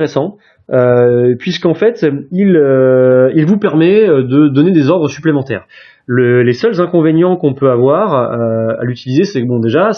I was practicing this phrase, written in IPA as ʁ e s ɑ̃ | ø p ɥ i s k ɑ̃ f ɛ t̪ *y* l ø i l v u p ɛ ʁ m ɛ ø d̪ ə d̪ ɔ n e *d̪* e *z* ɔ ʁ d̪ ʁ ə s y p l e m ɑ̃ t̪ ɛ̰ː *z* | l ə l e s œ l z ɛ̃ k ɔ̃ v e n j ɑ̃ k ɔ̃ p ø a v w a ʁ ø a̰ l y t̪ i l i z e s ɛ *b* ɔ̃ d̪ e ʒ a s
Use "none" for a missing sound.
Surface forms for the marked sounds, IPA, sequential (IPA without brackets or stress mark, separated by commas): i, d̪, z, ʁ, b